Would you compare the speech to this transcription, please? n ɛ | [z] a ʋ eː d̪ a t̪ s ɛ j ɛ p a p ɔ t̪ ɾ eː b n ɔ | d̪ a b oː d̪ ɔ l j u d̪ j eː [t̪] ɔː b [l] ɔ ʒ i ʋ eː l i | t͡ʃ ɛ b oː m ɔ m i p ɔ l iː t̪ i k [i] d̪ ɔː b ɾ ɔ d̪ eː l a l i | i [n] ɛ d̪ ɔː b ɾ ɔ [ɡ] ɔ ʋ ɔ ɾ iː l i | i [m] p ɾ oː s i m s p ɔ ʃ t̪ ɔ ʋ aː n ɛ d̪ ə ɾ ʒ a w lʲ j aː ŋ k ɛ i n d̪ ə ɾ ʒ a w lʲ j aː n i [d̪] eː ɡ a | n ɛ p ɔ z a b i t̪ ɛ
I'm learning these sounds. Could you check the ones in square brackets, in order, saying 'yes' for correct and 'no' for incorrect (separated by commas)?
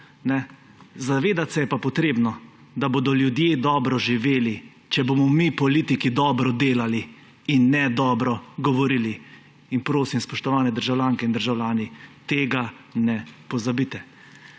yes, no, no, yes, no, yes, no, no